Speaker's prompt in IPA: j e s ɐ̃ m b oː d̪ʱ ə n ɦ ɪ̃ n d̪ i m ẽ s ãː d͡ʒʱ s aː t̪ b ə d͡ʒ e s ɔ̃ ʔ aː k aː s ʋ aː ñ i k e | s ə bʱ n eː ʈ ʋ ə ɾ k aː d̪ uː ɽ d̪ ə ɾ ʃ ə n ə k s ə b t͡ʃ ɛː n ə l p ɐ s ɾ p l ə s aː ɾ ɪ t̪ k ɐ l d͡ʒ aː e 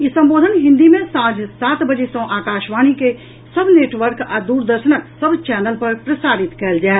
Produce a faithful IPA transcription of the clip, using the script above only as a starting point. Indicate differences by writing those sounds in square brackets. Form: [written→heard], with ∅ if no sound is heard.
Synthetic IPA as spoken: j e s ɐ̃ m b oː d̪ʱ ə n ɦ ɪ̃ n d̪ i m ẽ s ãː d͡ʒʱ s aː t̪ b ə d͡ʒ e s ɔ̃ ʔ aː k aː [s→ʃ] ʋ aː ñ i k e | s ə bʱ n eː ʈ ʋ ə ɾ k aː d̪ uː [ɽ→ɾ] d̪ ə ɾ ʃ ə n ə k s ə b t͡ʃ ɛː n ə l p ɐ [s→∅] ɾ p [l→ɾ] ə s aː ɾ ɪ t̪ k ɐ l d͡ʒ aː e

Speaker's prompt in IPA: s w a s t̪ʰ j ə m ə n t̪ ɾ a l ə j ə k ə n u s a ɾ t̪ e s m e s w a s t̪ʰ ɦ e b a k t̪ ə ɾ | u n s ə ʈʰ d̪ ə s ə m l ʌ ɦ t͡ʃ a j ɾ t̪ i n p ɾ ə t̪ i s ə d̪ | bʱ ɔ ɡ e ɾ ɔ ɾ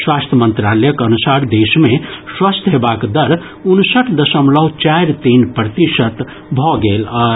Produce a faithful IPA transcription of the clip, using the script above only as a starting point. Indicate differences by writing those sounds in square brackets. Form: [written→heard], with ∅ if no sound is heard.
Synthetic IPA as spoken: s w a s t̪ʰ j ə m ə n t̪ ɾ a l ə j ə k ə n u s a ɾ [t̪→d̪] e s m e s w a s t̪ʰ ɦ e b a k [t̪→d̪] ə ɾ | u n s ə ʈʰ d̪ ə s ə m l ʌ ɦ t͡ʃ a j ɾ t̪ i n p ɾ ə t̪ i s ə [d̪→t̪] | bʱ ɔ ɡ e [ɾ→l] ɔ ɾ

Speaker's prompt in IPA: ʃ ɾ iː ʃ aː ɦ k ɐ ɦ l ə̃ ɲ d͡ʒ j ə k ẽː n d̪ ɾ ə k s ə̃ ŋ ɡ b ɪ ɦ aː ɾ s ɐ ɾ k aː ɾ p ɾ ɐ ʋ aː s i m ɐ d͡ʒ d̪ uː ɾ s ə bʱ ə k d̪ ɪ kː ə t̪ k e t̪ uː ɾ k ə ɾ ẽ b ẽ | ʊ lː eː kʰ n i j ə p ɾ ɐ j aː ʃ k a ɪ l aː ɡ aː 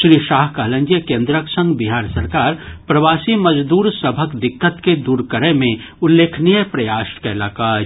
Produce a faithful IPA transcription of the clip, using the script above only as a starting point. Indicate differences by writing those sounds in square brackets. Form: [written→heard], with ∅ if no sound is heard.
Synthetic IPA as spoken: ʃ ɾ iː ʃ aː ɦ k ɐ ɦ l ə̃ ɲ d͡ʒ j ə k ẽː n d̪ ɾ ə k s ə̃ ŋ ɡ b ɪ ɦ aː ɾ s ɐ ɾ k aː ɾ p ɾ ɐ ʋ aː s i m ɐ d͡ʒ d̪ uː ɾ s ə bʱ ə k d̪ ɪ kː ə t̪ k e [t̪→d̪] uː ɾ k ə ɾ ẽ [b→m] ẽ | ʊ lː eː kʰ n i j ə p ɾ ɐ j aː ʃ k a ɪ l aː [ɡ→k] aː

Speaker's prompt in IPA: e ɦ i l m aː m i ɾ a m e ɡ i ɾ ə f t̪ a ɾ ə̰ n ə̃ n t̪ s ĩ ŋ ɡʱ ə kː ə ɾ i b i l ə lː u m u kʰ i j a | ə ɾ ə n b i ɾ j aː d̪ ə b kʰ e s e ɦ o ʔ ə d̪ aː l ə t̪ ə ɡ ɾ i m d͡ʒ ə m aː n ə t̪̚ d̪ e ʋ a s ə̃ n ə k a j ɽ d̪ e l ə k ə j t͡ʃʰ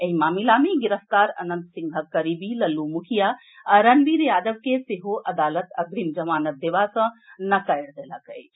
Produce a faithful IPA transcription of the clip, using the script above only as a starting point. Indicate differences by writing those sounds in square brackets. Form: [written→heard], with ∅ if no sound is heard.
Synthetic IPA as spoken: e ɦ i [l→∅] m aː m i [ɾ→l] a m e ɡ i ɾ ə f t̪ a ɾ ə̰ n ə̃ n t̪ s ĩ ŋ ɡʱ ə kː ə ɾ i b i l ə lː u m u kʰ i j a | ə ɾ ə n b i ɾ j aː d̪ ə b [kʰ→k] e s e ɦ o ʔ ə d̪ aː l ə t̪ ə ɡ ɾ i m d͡ʒ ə m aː n ə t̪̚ d̪ e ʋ a s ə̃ n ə k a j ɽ d̪ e l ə k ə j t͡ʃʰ

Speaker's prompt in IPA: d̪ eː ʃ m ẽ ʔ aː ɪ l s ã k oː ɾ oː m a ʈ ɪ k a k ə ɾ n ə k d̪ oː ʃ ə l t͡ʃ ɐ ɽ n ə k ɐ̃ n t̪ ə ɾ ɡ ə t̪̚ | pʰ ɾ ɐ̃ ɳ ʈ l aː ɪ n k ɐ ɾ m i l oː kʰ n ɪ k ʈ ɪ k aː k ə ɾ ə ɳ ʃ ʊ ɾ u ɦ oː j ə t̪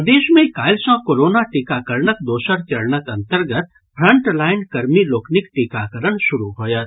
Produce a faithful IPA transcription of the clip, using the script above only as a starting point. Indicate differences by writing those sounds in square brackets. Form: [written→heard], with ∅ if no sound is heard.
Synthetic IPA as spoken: d̪ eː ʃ m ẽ [ʔ→k] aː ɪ l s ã k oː ɾ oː [m→n] a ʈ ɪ k a k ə ɾ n ə k d̪ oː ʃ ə [l→ɾ] t͡ʃ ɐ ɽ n ə k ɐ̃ n t̪ ə ɾ ɡ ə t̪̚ | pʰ ɾ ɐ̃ ɳ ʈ l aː ɪ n k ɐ ɾ m i l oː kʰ n ɪ k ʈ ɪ k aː k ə ɾ ə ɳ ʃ ʊ ɾ u ɦ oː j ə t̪

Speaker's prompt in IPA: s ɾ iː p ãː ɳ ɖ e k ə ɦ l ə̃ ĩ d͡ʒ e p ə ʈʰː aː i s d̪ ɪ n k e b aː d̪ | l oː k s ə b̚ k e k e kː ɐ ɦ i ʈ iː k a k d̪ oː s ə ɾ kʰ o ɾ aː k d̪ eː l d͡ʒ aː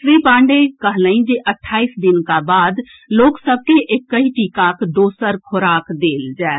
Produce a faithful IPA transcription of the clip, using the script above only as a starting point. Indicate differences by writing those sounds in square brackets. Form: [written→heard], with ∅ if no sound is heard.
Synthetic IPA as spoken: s ɾ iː p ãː ɳ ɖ e k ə ɦ l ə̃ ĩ d͡ʒ e [p→ʔ] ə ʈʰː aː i s d̪ ɪ n k [e→a] b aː d̪ | l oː k s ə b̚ k e [k→ʔ] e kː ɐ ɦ i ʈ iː k a k d̪ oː s ə ɾ kʰ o ɾ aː k d̪ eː l d͡ʒ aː

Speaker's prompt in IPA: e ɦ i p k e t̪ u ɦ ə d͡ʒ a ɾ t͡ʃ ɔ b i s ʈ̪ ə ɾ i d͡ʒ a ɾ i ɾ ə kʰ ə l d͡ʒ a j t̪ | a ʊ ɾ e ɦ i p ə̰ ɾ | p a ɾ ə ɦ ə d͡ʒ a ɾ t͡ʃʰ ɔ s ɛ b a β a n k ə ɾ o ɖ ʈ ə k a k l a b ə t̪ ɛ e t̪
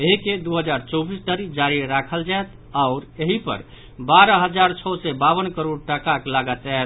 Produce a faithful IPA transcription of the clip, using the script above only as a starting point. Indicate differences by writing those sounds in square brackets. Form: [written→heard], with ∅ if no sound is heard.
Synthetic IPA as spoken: e ɦ i [p→∅] k e [t̪→d̪] u ɦ ə d͡ʒ a ɾ t͡ʃ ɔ b i s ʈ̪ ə ɾ i d͡ʒ a ɾ i ɾ [ə→a] kʰ ə l d͡ʒ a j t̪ | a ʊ ɾ e ɦ i p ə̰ ɾ | [p→b] a ɾ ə ɦ ə d͡ʒ a ɾ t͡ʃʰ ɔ s ɛ b a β [a→ə] n k ə ɾ o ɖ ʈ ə k a k l a [b→ɡ] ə t̪ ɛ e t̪

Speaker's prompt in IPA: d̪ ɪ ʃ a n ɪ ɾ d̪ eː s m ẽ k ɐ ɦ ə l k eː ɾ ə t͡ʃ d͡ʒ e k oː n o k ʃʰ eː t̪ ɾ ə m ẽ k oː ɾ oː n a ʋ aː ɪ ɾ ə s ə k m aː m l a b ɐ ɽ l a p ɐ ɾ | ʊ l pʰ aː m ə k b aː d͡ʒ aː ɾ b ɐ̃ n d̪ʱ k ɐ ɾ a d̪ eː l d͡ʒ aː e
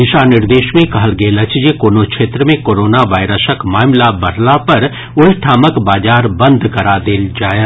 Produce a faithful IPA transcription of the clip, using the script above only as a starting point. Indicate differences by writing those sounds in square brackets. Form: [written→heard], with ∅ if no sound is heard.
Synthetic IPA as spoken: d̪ ɪ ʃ a n ɪ ɾ d̪ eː [s→ʃ] m ẽ k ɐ ɦ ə l [k→ɡ] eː [ɾ→l] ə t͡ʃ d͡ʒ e k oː n o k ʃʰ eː t̪ ɾ ə m ẽ k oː ɾ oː n a ʋ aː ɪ ɾ ə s ə k m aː m l a b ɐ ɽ l a p ɐ ɾ | ʊ l [pʰ→ʈʰ] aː m ə k b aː d͡ʒ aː ɾ b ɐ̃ n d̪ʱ k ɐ ɾ a d̪ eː l d͡ʒ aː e

